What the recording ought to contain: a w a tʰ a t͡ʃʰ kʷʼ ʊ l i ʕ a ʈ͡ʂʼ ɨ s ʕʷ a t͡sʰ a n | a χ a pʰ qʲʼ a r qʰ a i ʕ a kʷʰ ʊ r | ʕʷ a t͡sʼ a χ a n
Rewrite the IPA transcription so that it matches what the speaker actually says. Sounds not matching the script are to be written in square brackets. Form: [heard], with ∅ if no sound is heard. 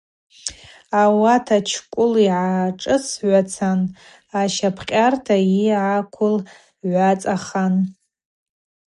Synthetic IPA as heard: a w a tʰ a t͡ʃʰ kʷʼ ʊ l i ʕ a ʈ͡ʂʼ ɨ s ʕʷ a t͡sʰ a n | a [ʃ] a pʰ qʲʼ a r [tʰ] a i ʕ a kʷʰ ʊ [l] | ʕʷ a t͡sʼ a χ a n